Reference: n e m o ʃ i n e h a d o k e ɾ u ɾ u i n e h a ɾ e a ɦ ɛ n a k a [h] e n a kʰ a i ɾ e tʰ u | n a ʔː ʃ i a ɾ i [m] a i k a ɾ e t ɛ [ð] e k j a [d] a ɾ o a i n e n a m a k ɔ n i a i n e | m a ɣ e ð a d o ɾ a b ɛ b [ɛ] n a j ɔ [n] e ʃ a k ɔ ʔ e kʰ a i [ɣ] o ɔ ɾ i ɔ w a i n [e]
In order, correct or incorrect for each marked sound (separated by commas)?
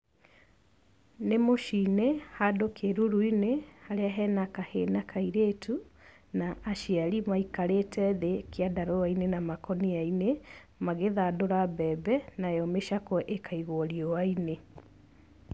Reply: correct, correct, correct, correct, correct, incorrect, correct, correct